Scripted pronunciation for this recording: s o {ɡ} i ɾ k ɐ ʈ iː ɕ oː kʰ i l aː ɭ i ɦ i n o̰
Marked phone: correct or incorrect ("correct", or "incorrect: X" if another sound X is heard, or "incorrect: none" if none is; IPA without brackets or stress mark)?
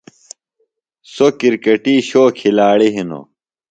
incorrect: k